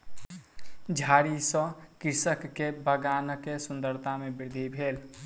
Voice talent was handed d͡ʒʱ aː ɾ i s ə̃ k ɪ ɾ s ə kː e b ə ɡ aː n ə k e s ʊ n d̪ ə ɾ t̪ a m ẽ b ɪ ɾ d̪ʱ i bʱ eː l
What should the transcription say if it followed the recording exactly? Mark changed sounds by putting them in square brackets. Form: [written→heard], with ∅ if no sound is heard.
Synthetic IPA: d͡ʒʱ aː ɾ i s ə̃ k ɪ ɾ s ə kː e b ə ɡ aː n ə k e s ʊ n d̪ ə ɾ t̪ a m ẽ b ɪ ɾ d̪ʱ i bʱ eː l